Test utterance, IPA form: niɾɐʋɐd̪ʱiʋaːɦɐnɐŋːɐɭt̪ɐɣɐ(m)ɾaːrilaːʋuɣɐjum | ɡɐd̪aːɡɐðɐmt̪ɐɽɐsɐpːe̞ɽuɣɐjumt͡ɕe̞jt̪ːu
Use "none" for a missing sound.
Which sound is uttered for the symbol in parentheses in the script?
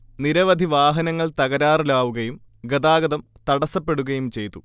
none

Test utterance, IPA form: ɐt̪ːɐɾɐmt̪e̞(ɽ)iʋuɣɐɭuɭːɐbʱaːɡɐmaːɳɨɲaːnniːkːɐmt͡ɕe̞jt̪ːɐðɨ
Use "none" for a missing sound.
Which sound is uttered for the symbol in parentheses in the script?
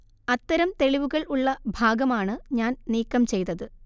ɭ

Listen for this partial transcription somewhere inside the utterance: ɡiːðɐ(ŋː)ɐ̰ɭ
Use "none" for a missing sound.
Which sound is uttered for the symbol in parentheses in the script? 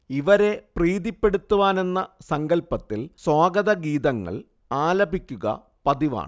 ŋː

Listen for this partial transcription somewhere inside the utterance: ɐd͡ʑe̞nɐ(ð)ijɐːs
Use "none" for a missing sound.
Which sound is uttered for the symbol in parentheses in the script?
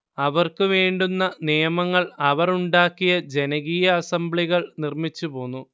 ɣ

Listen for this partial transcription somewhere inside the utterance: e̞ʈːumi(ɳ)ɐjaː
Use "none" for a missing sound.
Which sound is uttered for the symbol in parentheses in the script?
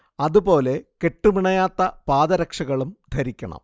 ɳ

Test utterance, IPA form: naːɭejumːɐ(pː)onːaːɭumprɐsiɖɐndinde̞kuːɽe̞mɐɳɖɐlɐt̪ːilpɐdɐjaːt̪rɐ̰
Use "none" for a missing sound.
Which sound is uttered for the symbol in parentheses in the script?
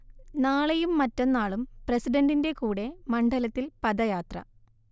tː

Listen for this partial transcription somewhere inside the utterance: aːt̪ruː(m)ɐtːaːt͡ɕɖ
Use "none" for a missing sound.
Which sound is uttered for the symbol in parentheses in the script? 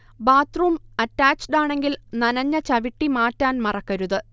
m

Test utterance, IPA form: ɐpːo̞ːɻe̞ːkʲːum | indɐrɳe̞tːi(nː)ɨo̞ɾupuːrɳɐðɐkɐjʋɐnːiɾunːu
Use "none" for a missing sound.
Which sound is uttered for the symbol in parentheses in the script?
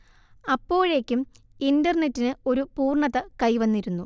n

